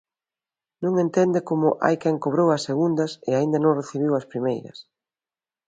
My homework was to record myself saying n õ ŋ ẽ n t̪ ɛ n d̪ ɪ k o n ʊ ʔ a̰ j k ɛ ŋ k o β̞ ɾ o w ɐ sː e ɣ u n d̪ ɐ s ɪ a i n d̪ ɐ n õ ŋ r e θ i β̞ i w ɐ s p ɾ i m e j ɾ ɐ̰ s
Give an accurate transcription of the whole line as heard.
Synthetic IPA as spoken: n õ ŋ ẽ n t̪ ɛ n d̪ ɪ k o m ʊ ʔ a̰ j k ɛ ŋ k o β̞ ɾ o w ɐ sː e ɣ u n d̪ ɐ s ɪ a i n d̪ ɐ n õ ŋ r e θ i β̞ i w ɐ s p ɾ i m e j ɾ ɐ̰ s